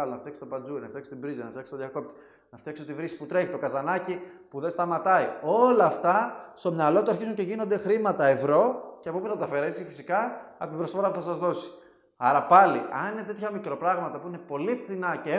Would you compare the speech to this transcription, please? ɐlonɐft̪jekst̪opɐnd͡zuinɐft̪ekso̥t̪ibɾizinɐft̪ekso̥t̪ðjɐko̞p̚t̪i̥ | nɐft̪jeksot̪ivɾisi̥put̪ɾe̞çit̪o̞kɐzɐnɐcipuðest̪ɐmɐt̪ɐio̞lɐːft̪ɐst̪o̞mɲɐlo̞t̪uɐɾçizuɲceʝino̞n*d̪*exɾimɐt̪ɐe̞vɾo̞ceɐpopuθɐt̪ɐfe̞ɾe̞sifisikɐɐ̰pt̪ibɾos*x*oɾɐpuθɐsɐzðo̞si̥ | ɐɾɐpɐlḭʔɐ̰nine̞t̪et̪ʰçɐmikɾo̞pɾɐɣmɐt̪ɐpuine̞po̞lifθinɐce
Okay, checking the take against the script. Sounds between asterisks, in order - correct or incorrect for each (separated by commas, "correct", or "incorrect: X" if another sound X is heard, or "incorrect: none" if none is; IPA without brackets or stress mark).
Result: correct, incorrect: f